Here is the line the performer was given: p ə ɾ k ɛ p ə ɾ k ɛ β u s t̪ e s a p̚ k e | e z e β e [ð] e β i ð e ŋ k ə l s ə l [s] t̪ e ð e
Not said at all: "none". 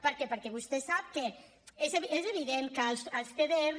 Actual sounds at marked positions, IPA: z, s

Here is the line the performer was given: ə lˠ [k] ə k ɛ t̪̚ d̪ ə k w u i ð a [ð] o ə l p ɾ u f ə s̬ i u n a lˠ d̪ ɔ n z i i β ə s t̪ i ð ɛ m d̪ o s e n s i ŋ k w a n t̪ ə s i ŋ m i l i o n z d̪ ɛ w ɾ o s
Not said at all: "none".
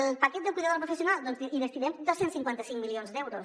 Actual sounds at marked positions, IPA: p, ð

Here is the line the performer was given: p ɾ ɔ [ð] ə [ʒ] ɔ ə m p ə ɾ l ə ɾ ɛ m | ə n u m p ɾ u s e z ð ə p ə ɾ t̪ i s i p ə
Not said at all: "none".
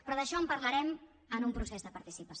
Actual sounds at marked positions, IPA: ð, ʃ

